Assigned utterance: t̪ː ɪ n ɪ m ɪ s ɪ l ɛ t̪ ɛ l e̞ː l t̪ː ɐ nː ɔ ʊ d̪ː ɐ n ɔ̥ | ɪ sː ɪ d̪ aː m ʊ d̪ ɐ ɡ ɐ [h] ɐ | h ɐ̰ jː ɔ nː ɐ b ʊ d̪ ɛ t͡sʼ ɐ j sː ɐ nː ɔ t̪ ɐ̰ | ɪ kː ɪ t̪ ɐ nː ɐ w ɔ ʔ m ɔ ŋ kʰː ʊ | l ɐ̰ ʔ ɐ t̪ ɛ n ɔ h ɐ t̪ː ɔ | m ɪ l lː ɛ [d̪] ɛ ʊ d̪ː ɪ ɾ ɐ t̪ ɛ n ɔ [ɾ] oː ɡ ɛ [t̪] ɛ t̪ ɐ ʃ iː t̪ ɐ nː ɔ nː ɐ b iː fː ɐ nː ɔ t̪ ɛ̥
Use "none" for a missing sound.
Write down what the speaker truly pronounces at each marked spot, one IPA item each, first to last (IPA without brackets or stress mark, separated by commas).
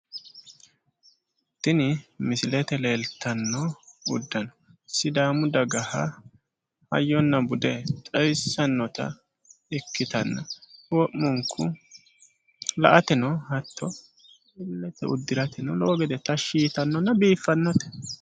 h, t̪, l, d̪